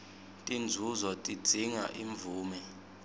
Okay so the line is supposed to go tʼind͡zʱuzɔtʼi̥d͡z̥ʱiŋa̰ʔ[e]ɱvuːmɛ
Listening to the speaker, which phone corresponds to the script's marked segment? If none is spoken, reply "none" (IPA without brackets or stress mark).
i